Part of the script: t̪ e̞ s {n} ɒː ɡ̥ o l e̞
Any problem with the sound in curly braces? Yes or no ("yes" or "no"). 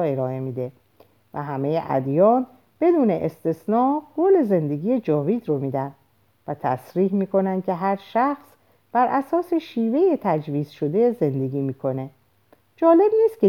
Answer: no